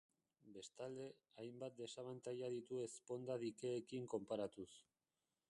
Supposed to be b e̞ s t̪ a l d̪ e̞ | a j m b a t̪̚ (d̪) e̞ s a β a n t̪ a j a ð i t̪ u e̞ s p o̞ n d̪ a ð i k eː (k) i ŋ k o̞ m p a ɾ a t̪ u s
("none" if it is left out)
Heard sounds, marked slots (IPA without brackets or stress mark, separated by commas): d̪, k